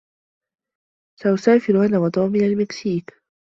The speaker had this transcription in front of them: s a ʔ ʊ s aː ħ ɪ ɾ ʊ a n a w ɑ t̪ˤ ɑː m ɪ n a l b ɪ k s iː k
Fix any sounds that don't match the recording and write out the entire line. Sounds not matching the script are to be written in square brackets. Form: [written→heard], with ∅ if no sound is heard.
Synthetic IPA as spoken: s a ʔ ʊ s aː [ħ→f] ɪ ɾ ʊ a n a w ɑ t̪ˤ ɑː m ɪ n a l [b→m] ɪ k s iː k